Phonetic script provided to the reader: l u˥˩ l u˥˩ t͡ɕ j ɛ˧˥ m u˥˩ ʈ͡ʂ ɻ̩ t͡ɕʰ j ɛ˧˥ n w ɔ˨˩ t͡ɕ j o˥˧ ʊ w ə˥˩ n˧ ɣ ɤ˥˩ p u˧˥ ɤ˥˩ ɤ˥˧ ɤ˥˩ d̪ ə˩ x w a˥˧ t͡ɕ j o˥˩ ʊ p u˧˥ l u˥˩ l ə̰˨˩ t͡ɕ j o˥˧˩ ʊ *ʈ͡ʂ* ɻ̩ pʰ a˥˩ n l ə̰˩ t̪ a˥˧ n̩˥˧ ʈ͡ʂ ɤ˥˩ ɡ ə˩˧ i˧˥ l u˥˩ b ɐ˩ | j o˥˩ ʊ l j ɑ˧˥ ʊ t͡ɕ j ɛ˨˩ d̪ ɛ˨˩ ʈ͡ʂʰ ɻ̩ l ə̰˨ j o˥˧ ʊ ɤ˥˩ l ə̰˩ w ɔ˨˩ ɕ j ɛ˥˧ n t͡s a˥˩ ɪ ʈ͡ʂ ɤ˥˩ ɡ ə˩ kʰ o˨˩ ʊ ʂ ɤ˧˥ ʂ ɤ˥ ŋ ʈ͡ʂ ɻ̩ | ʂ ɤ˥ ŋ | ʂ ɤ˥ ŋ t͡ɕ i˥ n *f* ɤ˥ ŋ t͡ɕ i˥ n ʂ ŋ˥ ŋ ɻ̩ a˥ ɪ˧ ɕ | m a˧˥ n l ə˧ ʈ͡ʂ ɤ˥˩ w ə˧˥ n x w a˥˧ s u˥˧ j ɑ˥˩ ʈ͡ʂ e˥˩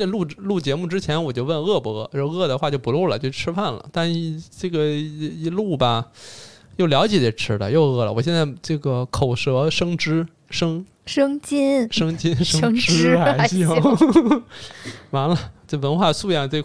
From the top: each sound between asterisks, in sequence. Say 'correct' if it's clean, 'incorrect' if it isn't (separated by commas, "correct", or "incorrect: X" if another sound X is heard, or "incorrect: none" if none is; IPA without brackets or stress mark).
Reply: incorrect: ʈ͡ʂʰ, incorrect: ʂ